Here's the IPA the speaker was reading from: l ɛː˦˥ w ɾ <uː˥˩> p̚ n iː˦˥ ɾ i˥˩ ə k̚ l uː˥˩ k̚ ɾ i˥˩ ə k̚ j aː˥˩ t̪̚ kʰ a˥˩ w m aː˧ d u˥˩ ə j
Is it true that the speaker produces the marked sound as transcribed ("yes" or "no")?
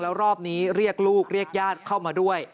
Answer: no